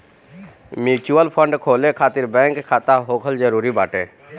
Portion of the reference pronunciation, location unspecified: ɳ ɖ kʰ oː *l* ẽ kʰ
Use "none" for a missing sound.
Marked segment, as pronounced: l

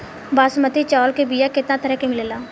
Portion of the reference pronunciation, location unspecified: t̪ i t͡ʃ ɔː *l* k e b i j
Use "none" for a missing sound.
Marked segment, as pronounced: l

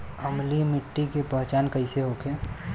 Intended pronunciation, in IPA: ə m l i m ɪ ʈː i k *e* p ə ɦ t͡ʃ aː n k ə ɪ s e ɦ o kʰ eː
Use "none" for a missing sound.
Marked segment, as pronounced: e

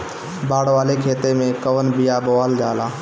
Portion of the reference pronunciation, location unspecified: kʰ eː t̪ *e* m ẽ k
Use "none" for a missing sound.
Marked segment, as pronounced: e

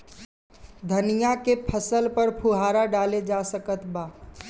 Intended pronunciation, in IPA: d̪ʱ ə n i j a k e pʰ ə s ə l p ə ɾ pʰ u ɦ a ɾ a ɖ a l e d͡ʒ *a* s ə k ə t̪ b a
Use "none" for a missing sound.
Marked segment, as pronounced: a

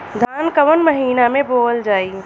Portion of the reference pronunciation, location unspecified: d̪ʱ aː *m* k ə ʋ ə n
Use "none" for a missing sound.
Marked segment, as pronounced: n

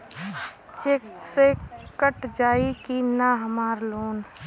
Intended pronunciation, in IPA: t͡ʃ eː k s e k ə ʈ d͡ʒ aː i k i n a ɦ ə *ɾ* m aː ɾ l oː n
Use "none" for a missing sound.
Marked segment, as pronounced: none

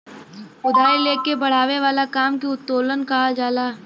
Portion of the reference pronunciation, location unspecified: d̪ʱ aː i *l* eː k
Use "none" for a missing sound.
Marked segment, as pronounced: l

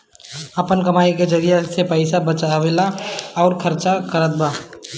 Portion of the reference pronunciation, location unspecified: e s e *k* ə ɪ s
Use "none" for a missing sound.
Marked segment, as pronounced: p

